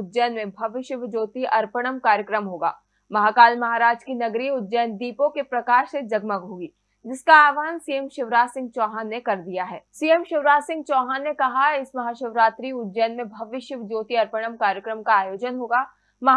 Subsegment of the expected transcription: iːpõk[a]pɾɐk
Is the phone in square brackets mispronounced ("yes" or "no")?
yes